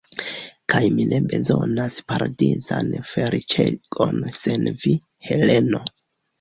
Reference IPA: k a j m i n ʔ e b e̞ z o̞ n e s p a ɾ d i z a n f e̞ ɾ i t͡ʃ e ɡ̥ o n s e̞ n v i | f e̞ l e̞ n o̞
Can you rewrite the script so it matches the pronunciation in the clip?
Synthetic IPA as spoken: k a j m i n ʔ e b e̞ z o̞ n a s p a ɾ d i z a n f e̞ ɾ i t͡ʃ e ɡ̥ o n s e̞ n v i | h e̞ l e̞ n o̞